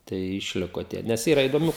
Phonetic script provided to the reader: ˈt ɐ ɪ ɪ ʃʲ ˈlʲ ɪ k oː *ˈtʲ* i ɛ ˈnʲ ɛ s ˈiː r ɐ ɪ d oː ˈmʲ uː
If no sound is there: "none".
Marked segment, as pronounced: tʲ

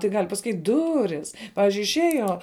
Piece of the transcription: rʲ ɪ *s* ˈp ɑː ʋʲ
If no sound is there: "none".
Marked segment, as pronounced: s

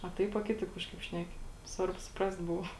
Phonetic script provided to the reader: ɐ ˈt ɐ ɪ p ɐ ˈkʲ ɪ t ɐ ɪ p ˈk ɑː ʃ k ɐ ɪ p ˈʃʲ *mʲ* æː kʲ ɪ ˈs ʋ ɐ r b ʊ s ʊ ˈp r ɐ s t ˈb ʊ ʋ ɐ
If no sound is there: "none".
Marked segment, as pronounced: nʲ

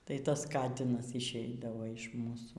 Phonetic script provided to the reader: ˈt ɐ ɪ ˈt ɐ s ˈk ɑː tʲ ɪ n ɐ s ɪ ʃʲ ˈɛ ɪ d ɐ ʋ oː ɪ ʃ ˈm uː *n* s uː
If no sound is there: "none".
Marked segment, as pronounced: none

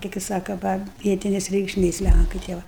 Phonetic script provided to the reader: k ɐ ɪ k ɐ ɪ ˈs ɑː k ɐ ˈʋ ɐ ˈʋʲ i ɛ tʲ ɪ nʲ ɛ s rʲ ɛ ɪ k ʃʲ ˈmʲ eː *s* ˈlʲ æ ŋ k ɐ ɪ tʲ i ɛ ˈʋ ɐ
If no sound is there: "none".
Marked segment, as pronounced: s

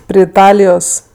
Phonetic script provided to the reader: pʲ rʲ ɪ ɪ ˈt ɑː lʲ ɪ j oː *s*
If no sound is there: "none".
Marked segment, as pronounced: s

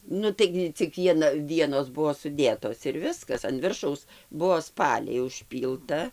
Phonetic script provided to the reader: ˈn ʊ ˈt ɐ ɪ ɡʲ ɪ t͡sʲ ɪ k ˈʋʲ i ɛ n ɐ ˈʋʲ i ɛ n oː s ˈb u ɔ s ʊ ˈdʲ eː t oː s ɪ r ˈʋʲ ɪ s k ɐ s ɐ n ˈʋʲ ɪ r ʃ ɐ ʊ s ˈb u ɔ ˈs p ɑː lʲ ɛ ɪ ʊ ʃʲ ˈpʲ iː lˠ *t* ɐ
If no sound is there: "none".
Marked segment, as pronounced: t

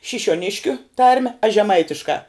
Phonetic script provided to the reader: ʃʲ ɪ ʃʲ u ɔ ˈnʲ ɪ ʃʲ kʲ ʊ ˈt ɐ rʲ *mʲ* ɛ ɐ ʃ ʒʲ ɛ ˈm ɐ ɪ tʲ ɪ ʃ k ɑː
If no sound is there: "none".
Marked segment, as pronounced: mʲ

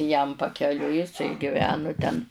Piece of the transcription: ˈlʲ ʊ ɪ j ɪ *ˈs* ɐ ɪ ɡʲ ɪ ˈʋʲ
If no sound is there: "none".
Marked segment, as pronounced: s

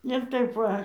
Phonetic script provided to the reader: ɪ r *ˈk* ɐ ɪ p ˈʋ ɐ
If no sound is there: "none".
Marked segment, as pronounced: t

